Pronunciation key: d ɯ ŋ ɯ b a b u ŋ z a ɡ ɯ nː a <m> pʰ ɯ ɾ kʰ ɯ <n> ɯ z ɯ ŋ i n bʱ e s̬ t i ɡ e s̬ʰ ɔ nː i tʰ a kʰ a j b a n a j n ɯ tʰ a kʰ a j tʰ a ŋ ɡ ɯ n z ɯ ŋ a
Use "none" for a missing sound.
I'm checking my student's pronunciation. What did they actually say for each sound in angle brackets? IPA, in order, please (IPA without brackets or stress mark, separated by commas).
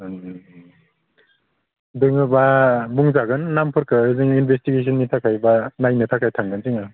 m, none